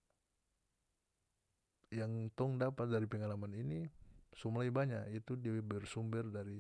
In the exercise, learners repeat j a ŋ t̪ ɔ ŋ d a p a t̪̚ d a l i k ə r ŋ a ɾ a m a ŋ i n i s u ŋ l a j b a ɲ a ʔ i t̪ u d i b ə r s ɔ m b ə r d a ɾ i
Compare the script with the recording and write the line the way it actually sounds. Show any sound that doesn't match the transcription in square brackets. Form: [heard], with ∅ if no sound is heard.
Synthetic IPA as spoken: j a ŋ t̪ ɔ ŋ d a p a t̪̚ d a [ɾ] i [p] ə [∅] ŋ a [l] a m a [n] i n i s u [m] l a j b a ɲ a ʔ i t̪ u d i b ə r s [u] m b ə r d a ɾ i